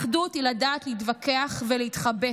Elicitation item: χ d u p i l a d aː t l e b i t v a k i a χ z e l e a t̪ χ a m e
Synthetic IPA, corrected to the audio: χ d u t i l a d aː t l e i t v a k e a χ v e l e i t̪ χ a b e